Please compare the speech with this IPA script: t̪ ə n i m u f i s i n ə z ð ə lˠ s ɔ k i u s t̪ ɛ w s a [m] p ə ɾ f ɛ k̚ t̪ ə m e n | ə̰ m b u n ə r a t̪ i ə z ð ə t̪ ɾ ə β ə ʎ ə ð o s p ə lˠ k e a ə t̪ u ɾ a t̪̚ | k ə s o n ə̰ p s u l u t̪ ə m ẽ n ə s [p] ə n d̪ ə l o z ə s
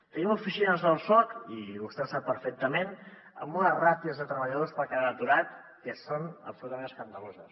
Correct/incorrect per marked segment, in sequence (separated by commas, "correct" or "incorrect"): incorrect, incorrect